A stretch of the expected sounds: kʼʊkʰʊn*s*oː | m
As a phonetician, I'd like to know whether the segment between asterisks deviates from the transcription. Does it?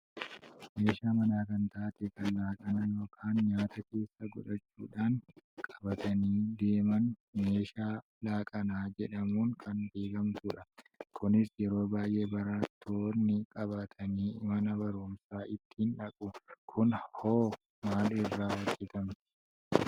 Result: yes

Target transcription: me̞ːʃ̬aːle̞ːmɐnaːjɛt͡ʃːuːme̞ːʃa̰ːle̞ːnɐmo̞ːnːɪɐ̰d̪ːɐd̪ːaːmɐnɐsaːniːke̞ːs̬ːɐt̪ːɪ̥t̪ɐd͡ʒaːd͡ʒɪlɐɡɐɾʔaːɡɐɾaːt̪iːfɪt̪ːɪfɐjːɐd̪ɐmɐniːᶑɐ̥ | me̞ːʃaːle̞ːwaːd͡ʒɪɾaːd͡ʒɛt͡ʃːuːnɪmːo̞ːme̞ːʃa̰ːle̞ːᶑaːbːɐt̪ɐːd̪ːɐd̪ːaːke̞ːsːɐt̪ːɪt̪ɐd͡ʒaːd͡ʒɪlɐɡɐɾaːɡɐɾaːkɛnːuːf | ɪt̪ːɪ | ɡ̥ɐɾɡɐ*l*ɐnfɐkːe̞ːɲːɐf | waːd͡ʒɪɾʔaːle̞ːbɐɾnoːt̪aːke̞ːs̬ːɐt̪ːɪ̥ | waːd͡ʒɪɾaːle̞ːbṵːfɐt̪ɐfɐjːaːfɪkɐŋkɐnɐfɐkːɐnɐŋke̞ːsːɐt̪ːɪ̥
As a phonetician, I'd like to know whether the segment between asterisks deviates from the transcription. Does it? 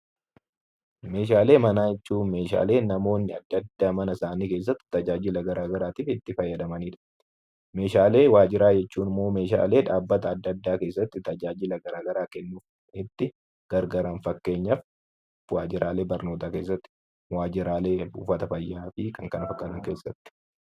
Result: yes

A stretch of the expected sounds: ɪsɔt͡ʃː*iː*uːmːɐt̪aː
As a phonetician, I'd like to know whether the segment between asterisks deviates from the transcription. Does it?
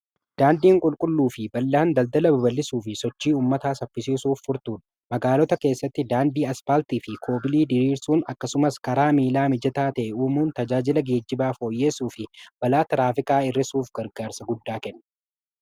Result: no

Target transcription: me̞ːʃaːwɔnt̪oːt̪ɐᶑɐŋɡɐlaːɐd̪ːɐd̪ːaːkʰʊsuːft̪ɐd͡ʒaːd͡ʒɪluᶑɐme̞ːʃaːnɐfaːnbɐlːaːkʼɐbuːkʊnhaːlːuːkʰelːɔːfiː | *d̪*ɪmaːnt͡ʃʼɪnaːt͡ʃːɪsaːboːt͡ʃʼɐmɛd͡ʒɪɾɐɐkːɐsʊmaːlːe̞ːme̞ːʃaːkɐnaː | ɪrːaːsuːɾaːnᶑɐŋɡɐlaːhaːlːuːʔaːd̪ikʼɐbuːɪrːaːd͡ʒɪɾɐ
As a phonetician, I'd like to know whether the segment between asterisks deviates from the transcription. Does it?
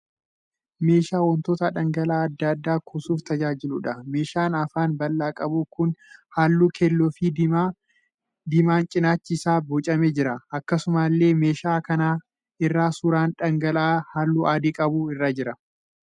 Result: no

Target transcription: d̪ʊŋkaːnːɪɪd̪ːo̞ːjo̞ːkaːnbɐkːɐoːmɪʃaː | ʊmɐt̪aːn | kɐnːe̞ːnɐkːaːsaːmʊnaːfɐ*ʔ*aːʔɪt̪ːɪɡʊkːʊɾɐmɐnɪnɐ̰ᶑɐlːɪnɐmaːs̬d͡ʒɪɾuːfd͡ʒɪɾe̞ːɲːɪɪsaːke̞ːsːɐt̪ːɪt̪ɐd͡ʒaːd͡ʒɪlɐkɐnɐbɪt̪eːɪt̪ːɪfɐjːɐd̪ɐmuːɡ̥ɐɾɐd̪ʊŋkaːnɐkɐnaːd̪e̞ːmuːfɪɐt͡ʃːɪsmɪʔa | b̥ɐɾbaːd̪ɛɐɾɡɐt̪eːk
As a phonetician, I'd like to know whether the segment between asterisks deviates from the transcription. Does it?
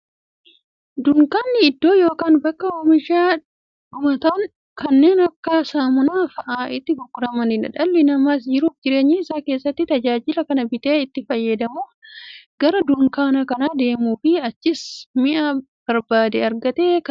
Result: no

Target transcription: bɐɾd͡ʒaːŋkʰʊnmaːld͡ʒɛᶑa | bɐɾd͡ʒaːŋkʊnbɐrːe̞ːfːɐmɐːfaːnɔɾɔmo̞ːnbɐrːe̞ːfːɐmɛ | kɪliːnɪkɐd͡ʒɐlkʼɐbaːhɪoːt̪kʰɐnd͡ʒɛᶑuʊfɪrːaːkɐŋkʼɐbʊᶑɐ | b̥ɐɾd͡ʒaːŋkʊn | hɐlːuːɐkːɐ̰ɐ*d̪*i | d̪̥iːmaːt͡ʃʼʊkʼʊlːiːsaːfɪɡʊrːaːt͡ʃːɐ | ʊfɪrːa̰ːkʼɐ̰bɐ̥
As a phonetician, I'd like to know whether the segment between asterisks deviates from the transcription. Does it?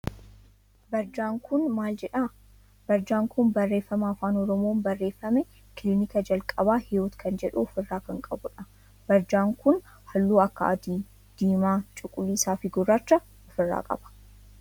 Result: no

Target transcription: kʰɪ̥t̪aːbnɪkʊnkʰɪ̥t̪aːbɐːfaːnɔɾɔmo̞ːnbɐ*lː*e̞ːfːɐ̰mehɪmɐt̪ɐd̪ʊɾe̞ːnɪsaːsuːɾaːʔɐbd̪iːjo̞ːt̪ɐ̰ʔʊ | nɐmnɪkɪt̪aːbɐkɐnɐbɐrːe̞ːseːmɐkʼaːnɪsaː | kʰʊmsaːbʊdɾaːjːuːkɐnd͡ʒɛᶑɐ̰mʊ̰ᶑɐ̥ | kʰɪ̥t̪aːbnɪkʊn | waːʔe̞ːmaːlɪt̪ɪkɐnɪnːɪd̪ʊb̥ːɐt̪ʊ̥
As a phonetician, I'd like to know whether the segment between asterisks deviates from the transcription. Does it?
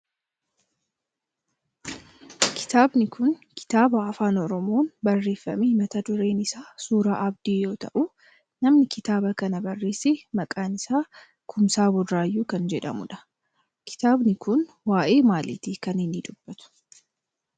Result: yes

